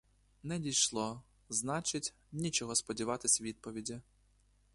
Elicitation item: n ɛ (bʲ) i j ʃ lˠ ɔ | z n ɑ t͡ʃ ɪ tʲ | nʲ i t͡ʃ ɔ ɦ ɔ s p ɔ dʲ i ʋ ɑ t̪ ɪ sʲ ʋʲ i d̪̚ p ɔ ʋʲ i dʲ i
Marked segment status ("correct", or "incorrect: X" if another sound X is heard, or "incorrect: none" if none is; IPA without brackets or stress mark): incorrect: dʲ